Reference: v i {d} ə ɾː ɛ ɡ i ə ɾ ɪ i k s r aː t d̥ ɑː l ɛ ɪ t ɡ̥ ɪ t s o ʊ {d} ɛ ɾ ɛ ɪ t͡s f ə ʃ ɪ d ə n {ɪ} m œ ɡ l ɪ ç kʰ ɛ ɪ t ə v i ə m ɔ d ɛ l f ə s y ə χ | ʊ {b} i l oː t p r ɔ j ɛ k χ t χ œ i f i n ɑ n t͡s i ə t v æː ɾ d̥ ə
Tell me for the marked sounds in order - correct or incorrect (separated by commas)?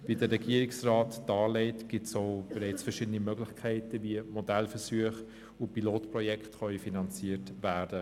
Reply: correct, incorrect, incorrect, incorrect